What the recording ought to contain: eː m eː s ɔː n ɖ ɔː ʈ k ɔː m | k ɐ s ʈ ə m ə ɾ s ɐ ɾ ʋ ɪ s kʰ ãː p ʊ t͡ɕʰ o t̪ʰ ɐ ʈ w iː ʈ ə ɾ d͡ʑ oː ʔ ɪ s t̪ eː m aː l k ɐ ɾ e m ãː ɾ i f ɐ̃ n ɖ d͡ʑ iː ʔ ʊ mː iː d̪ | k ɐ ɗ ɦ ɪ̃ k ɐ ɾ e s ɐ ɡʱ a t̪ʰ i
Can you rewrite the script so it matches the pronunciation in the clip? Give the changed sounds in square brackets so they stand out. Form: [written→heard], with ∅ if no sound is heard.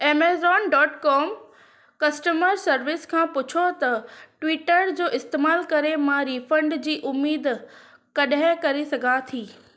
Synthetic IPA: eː m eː [s→z] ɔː n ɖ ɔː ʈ k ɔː m | k ɐ s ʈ ə m ə ɾ s ɐ ɾ ʋ ɪ s kʰ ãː p ʊ t͡ɕʰ o [t̪ʰ→t̪] ɐ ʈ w iː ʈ ə ɾ d͡ʑ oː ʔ ɪ s t̪ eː m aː l k ɐ ɾ e m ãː ɾ i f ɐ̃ [n→ɳ] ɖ d͡ʑ iː ʔ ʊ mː iː d̪ | k ɐ ɗ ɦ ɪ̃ k ɐ ɾ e s ɐ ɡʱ a t̪ʰ [i→iː]